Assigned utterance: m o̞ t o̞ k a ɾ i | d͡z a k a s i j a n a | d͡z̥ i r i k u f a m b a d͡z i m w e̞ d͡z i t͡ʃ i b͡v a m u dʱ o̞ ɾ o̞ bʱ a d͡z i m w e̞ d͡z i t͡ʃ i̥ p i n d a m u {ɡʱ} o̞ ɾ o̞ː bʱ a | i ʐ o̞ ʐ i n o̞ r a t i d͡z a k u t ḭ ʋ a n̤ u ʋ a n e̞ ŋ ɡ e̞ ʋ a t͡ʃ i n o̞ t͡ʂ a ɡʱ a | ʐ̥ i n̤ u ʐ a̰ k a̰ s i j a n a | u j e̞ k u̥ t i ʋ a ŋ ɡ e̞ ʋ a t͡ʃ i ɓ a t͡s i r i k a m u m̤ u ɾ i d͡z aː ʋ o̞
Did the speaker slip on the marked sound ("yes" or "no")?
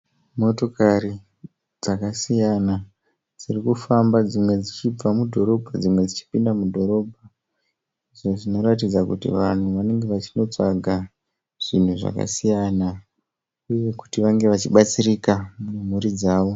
yes